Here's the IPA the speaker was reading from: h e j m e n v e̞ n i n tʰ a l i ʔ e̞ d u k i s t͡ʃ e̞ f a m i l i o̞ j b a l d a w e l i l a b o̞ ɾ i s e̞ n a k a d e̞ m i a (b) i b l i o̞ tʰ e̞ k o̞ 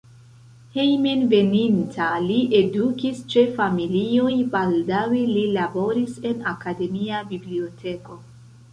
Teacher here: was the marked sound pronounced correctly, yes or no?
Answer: yes